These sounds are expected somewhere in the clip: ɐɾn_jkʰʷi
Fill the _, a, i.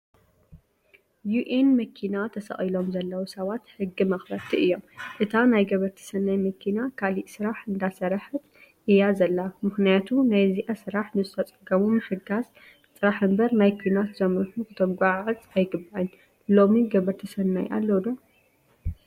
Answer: a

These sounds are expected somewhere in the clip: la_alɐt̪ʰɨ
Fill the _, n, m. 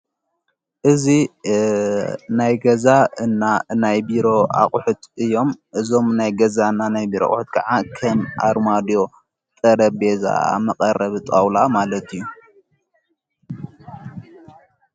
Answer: m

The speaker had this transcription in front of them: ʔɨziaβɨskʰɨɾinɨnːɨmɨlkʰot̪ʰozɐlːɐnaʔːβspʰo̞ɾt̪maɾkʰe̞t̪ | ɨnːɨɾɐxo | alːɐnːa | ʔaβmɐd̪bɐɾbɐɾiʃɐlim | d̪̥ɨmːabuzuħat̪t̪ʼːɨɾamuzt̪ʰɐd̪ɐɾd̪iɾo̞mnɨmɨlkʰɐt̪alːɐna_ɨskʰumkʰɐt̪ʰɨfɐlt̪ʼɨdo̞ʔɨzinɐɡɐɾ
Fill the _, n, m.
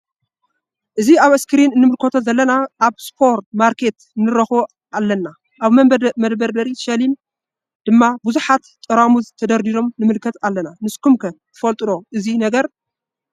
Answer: n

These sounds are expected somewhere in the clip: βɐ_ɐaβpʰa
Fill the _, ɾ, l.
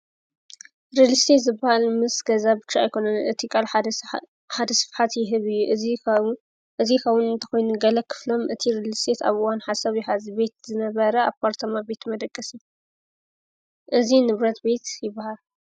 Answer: ɾ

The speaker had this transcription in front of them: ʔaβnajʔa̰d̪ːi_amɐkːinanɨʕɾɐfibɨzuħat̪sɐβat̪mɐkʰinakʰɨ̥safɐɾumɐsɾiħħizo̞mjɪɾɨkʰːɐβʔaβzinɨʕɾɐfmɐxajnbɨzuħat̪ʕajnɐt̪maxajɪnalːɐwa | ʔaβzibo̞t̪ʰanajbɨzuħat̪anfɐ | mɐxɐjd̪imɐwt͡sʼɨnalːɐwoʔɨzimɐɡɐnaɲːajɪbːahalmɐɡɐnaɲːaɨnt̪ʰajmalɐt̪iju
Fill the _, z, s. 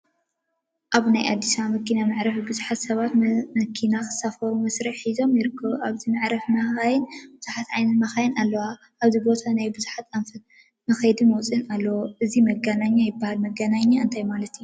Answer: s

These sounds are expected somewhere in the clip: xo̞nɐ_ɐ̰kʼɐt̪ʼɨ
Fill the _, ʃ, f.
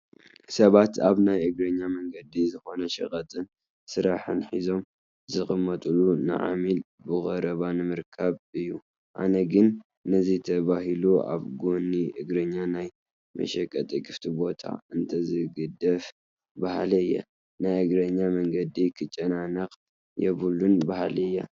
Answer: ʃ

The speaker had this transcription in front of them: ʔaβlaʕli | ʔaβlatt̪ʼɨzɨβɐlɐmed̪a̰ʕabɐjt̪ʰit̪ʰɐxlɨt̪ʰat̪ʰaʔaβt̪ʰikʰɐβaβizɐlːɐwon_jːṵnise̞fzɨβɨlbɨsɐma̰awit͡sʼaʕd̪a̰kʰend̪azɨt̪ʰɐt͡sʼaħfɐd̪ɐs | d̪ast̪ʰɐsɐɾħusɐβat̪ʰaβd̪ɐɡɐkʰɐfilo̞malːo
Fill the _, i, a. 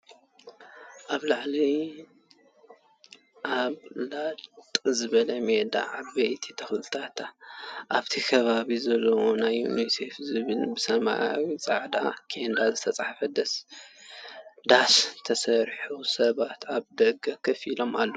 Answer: a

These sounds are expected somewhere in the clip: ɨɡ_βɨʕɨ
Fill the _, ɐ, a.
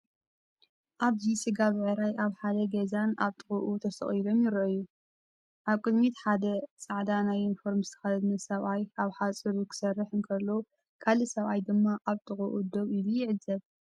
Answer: a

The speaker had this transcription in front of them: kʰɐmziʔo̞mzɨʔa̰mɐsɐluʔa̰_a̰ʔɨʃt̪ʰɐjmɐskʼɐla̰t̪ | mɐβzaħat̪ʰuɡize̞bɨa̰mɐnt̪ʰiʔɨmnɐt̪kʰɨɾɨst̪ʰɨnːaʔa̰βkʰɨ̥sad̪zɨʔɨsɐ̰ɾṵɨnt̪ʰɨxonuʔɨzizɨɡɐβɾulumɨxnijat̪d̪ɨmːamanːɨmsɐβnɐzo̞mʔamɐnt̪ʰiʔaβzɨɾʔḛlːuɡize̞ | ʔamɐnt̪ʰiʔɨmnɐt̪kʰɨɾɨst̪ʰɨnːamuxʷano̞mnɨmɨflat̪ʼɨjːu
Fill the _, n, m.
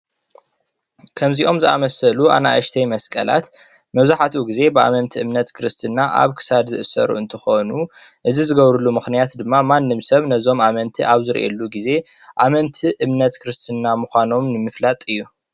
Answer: n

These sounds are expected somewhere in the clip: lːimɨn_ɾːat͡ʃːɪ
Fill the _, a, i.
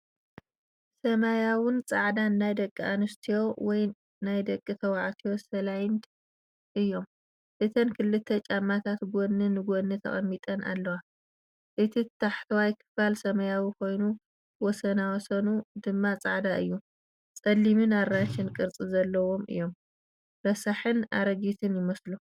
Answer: a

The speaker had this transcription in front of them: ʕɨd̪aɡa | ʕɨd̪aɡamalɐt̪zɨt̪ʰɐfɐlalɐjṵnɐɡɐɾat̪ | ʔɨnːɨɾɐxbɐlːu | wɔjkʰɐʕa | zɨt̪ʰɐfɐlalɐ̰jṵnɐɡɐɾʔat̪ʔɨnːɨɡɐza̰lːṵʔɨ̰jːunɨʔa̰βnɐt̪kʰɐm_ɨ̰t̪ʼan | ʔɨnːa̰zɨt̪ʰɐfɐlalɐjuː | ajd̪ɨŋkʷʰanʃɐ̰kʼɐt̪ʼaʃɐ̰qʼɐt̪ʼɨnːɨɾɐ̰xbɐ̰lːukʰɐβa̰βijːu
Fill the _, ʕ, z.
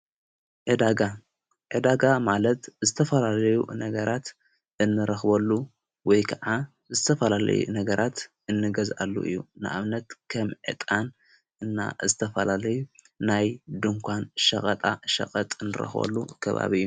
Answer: ʕ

